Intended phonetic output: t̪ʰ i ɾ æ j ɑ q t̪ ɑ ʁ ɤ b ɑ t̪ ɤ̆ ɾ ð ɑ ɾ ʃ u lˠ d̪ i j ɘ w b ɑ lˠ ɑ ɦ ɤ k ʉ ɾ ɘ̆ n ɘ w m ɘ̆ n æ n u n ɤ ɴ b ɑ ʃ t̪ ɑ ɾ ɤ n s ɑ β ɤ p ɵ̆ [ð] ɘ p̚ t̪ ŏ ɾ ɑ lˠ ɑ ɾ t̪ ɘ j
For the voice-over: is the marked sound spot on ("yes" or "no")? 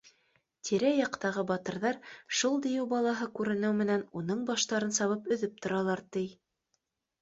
yes